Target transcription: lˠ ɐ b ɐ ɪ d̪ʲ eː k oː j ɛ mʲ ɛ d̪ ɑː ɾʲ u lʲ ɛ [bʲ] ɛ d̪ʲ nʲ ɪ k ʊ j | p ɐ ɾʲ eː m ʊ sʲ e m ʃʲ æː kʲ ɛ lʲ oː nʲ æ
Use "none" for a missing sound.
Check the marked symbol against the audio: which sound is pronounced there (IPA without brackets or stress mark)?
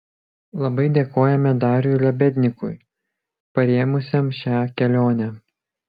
bʲ